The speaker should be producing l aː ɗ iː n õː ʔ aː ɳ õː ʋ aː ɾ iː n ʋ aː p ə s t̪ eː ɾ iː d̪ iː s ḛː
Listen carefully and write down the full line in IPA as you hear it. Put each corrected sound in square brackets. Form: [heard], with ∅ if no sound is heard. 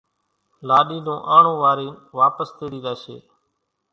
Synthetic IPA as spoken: l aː ɗ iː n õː ʔ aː ɳ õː ʋ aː ɾ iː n ʋ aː p ə s t̪ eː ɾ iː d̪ [aː] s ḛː